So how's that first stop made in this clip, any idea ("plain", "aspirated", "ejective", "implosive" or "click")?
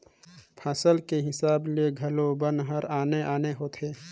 aspirated